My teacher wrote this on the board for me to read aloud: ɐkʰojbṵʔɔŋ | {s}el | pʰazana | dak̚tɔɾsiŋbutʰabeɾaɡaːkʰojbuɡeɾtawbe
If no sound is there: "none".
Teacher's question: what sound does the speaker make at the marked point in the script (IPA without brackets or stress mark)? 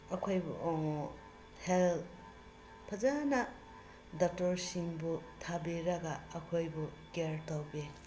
h